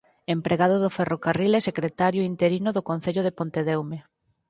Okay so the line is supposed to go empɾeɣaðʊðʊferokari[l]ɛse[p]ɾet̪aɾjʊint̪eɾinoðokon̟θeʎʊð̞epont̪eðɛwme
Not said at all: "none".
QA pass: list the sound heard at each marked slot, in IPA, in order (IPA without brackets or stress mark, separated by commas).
l, k